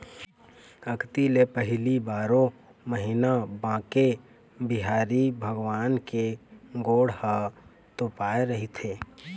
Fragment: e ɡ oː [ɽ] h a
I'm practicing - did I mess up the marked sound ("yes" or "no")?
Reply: no